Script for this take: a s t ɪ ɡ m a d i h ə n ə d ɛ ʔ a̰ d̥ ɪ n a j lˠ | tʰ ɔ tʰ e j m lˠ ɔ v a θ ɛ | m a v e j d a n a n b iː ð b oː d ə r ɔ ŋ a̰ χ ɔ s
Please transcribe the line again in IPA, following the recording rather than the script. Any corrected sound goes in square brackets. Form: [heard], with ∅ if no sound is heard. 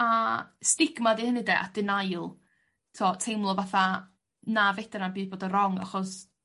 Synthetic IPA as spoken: a s t ɪ ɡ m a d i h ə n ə d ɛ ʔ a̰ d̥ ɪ n a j lˠ | tʰ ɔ tʰ e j m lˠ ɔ v a θ [a] | [n] a v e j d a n a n b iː ð b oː d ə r ɔ ŋ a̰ χ ɔ s